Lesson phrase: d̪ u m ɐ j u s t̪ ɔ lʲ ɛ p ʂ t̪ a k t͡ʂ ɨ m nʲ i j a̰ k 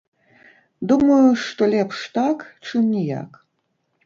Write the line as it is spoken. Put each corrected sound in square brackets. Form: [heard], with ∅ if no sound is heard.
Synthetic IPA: d̪ u m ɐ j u [ʂ] t̪ ɔ lʲ ɛ p ʂ t̪ a k t͡ʂ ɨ m nʲ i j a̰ k